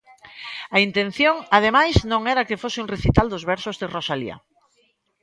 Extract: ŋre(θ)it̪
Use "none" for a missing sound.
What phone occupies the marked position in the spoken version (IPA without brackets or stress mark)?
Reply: θ